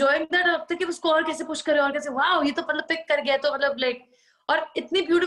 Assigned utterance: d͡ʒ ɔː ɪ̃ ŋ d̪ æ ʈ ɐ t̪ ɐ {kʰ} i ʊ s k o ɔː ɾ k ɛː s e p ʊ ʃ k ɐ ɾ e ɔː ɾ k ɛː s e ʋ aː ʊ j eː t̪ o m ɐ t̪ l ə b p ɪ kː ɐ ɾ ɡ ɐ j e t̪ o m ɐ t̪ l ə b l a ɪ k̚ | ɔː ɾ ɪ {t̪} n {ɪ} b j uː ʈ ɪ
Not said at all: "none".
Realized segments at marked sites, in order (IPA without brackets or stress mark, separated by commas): k, t̪, i